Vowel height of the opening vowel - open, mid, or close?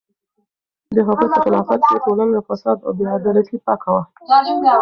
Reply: mid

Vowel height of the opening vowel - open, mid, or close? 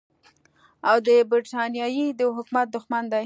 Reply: open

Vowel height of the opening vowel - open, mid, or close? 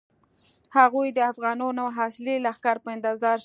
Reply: open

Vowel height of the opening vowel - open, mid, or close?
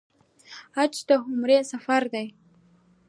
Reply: open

